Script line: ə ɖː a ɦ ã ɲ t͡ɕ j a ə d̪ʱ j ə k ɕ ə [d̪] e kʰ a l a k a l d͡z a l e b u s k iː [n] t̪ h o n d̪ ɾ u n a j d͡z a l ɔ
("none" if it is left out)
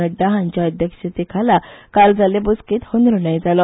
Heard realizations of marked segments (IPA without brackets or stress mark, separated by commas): t̪, none